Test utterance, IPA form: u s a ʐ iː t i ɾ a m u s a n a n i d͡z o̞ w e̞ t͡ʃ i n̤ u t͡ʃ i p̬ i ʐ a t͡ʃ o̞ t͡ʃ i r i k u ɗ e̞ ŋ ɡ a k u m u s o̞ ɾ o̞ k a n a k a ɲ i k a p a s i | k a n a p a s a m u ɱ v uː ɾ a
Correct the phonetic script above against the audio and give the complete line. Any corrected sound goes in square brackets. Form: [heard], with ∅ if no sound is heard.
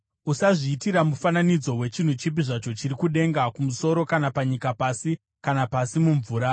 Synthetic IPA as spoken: u s a ʐ iː t i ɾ a m u [f] a n a n i d͡z o̞ w e̞ t͡ʃ i n̤ u t͡ʃ i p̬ i ʐ a t͡ʃ o̞ t͡ʃ i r i k u ɗ e̞ ŋ ɡ a k u m u s o̞ ɾ o̞ k a n a [p] a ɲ i k a p a s i | k a n a p a s [i] m u ɱ v uː ɾ a